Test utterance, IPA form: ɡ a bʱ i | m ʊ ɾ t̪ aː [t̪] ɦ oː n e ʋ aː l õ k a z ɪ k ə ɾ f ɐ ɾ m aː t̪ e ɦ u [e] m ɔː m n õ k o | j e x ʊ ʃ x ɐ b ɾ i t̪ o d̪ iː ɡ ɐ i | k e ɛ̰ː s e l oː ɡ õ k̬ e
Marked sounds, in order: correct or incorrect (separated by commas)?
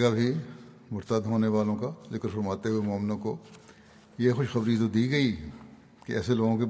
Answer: incorrect, correct